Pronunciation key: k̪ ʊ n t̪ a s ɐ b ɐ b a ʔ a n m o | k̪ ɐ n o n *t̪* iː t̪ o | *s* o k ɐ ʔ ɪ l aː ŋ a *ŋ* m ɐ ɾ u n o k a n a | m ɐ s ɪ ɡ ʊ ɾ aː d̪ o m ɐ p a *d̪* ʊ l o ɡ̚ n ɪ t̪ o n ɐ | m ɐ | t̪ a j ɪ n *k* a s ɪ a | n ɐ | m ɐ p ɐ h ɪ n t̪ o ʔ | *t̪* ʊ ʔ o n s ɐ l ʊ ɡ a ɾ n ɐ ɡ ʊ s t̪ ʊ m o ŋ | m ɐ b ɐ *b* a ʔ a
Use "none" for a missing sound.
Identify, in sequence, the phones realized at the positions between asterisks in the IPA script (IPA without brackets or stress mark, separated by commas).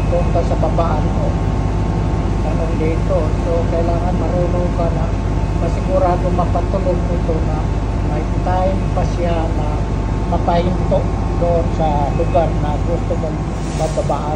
d̪, s, n, t̪, p, d̪, b